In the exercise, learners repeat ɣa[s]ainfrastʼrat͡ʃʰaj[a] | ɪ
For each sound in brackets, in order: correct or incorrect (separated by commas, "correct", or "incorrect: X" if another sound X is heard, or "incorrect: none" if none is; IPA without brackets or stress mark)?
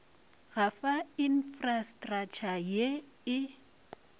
incorrect: f, incorrect: e